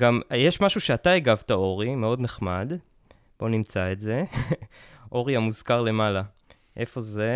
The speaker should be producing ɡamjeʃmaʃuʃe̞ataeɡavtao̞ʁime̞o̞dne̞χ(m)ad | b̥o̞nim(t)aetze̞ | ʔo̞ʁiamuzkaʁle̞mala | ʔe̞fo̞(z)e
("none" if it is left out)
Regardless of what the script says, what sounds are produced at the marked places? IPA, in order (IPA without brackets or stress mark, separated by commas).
m, t͡s, z